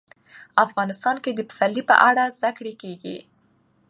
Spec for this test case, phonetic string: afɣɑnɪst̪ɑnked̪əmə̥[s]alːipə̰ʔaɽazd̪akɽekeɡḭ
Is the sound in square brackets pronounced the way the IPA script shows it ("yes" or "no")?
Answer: yes